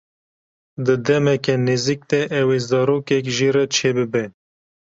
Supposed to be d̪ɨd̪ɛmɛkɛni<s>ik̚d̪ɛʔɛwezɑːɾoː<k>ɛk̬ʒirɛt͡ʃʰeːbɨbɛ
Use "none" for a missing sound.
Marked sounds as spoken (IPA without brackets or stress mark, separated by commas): z, k